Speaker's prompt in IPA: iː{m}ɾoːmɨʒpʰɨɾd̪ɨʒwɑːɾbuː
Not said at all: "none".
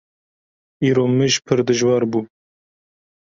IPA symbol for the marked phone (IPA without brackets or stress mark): none